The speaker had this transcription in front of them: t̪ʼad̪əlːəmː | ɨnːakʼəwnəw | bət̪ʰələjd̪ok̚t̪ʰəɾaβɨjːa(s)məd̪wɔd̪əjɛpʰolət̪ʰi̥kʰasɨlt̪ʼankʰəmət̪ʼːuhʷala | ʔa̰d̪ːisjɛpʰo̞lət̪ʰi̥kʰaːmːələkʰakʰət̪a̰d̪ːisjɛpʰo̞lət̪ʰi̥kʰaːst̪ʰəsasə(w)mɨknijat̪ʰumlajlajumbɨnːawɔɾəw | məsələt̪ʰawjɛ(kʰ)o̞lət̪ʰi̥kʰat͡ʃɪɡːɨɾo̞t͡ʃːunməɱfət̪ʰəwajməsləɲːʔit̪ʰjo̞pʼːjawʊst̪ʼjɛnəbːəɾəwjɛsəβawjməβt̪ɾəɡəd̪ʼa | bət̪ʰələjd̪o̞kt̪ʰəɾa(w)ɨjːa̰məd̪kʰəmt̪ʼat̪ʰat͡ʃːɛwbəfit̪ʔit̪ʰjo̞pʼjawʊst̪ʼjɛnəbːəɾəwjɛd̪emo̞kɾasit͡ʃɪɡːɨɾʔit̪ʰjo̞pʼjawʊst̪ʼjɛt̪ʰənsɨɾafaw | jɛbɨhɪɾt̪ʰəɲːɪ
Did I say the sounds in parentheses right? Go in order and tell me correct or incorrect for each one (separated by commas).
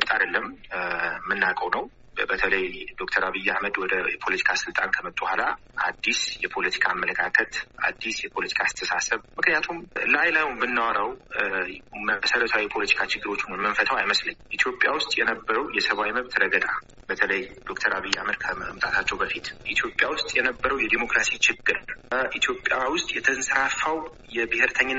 incorrect, incorrect, incorrect, incorrect